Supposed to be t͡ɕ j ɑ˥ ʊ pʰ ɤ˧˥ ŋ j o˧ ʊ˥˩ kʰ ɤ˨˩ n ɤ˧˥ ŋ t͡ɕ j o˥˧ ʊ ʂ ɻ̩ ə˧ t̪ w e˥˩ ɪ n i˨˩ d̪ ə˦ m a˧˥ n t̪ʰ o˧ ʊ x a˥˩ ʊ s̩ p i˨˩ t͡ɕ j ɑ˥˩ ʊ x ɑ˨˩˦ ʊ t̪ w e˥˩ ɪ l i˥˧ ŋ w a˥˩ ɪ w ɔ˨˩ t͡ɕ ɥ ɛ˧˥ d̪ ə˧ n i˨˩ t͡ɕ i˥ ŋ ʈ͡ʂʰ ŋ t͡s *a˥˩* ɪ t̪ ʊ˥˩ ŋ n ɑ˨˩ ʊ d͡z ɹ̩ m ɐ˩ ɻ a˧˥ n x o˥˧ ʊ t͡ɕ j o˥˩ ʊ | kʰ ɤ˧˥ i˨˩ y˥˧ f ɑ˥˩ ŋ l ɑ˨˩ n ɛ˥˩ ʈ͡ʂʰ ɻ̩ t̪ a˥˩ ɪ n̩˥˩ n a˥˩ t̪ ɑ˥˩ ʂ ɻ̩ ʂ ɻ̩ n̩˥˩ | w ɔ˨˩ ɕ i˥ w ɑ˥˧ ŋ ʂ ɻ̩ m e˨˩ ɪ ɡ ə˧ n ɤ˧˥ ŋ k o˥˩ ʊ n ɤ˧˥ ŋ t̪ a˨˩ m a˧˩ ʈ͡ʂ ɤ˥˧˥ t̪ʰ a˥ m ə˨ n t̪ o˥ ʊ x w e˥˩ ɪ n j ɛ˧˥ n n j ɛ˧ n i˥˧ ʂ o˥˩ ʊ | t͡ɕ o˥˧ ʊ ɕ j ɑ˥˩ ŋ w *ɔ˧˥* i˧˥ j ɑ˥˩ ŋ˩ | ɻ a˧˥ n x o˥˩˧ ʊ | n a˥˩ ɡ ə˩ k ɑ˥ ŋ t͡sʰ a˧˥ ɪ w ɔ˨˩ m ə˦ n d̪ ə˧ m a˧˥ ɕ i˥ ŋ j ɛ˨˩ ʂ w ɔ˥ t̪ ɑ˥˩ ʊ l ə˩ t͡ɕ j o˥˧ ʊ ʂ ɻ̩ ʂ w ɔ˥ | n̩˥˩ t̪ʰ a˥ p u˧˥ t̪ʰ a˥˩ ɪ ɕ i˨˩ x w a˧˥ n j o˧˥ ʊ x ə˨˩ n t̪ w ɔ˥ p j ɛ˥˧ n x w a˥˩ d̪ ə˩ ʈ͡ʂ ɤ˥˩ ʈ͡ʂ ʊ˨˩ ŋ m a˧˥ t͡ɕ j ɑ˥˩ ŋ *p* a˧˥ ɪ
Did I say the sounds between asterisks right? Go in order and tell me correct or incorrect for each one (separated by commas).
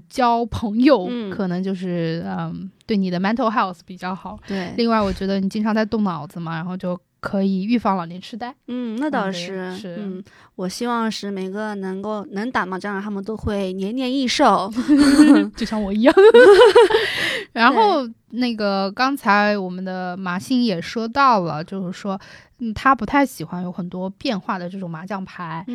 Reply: incorrect, incorrect, incorrect